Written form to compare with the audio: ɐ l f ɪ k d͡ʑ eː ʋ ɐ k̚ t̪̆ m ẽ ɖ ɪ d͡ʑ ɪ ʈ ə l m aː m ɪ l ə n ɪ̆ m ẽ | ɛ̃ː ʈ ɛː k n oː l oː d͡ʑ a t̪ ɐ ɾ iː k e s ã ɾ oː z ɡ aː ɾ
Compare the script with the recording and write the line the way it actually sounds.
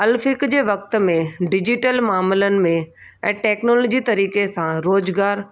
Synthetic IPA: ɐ l f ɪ k d͡ʑ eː ʋ ɐ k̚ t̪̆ m ẽ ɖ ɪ d͡ʑ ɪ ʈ ə l m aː m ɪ l ə n ɪ̆ m ẽ | ɛ̃ː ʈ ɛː k n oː l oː d͡ʑ i t̪ ɐ ɾ iː k e s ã ɾ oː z ɡ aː ɾ